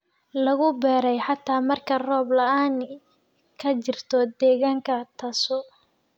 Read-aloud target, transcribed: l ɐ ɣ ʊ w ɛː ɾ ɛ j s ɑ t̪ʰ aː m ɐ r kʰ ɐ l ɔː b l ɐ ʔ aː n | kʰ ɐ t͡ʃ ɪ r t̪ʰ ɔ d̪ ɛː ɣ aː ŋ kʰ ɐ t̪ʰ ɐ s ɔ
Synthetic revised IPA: l ɐ ɣ ʊ b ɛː ɾ ɛ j ħ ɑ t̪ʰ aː m ɐ r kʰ ɐ r ɔː b l ɐ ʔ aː n | kʰ ɐ t͡ʃ ɪ r t̪ʰ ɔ d̪ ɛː ɣ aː ŋ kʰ ɐ t̪ʰ ɐ s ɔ